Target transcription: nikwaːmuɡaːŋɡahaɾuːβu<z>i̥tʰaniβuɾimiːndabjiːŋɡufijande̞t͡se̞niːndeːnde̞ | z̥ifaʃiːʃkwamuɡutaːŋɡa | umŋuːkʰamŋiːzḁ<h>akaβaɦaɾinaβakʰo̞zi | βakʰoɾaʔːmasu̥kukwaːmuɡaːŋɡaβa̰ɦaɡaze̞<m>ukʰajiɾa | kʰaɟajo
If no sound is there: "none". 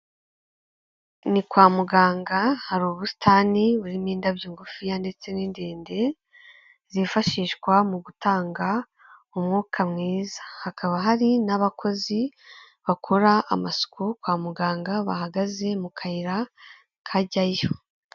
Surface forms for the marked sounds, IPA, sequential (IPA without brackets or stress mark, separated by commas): s, h, m